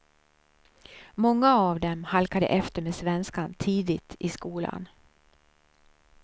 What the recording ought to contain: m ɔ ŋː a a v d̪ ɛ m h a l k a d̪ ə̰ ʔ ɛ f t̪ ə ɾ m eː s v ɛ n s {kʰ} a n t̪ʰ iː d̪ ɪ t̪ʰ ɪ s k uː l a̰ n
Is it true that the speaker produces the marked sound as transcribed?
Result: no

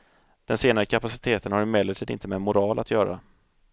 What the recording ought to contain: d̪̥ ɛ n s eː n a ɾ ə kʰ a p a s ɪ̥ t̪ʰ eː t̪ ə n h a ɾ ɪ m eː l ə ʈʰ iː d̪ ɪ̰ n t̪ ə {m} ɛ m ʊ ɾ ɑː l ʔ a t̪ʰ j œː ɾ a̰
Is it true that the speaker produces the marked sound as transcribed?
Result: yes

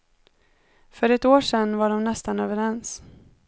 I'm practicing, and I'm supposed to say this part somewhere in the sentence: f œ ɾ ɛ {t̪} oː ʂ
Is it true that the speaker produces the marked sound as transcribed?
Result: yes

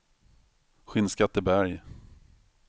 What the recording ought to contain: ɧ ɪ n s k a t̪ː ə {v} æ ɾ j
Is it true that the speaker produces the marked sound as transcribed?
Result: no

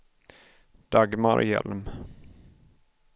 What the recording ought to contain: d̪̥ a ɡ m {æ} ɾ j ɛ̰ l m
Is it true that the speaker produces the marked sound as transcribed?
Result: no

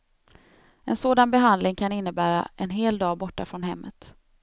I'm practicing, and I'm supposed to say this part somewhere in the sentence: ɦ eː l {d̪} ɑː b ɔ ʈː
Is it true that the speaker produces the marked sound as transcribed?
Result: yes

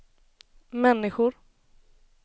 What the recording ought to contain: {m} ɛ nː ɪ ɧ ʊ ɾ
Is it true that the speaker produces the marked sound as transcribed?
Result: yes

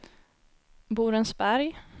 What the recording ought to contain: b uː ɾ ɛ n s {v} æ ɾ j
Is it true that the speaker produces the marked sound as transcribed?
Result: no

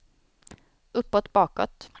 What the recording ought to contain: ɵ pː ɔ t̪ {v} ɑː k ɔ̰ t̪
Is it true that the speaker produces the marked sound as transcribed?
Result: no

